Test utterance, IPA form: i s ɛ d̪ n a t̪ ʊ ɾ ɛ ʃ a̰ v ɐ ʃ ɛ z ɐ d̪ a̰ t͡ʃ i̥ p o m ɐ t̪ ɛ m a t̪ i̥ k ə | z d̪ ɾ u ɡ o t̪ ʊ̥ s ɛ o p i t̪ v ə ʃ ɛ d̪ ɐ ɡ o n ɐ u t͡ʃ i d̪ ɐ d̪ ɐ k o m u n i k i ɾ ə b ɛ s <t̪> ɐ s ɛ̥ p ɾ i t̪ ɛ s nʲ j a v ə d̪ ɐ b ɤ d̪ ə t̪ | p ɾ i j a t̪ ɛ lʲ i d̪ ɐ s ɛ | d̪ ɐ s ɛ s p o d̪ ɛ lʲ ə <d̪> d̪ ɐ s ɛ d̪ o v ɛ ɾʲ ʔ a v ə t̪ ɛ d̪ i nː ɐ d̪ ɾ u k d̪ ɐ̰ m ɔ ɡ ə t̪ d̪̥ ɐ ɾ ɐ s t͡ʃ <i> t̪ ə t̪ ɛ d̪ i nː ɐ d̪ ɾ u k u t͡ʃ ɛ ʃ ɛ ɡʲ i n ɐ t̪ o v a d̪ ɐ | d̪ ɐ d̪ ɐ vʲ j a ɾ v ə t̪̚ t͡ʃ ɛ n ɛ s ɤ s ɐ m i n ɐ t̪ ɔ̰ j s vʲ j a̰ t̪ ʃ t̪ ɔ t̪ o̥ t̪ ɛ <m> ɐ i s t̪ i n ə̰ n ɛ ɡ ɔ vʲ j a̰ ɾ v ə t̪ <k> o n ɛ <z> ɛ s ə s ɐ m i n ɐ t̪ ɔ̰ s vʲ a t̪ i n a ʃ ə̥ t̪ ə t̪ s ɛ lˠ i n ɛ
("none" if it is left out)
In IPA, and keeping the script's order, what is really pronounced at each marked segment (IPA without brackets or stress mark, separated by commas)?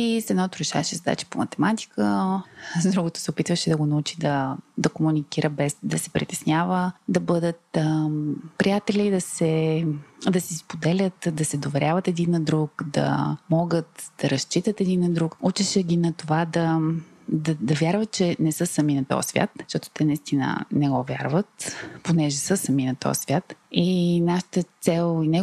d̪, t̪, i, n, p, ʒ